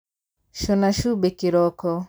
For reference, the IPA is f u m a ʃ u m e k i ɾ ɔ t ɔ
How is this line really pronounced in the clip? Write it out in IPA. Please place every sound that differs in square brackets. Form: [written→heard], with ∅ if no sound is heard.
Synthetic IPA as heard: [f→ʃ] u [m→n] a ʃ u [m→b] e k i ɾ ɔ [t→k] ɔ